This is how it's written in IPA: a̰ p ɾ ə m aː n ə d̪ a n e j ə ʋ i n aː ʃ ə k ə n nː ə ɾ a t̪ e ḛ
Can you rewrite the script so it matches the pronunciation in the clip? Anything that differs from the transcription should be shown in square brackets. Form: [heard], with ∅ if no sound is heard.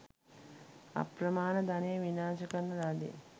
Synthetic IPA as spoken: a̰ p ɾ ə m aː n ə d̪ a n e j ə ʋ i n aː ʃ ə k ə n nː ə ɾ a [d̪] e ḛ